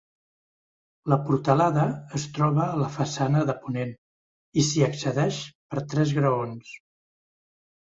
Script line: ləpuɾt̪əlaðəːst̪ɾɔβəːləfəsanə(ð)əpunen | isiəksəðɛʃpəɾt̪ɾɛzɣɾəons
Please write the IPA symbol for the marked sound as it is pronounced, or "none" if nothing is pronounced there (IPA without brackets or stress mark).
ð